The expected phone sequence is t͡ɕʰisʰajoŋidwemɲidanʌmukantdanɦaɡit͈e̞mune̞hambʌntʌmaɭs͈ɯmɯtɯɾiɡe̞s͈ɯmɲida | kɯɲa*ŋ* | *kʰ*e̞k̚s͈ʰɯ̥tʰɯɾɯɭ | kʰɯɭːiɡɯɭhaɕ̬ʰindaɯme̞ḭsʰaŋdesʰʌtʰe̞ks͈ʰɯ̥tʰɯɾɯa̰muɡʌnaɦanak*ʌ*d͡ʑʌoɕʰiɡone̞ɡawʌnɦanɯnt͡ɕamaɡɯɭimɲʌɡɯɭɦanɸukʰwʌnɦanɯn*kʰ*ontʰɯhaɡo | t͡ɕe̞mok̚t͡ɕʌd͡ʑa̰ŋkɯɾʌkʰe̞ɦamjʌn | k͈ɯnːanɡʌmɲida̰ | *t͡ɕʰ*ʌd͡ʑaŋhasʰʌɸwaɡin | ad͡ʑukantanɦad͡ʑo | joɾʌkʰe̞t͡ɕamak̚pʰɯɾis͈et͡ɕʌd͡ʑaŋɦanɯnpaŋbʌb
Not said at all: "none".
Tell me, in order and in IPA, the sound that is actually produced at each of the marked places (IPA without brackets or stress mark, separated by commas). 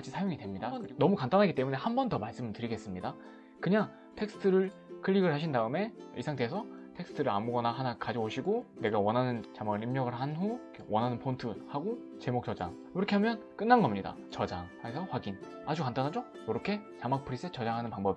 ŋ, tʰ, a, pʰ, t͡ɕ